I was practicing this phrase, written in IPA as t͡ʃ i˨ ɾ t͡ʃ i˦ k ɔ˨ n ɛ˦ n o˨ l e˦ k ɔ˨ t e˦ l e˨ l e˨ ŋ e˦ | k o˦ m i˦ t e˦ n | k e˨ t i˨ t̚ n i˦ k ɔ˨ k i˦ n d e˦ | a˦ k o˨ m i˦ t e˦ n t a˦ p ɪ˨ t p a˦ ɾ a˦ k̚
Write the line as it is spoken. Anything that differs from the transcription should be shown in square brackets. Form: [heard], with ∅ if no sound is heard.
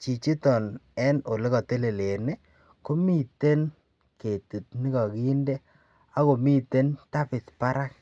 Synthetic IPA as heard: t͡ʃ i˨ [∅] t͡ʃ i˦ [t] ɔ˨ n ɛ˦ n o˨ l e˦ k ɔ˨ t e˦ l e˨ l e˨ [n] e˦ | k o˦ m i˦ t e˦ n | k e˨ t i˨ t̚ n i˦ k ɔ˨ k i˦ n d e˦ | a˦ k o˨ m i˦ t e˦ n t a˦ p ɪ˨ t p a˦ ɾ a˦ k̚